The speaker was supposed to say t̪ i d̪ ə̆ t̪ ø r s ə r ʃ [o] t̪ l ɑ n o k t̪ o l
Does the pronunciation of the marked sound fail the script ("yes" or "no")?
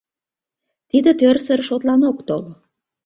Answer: no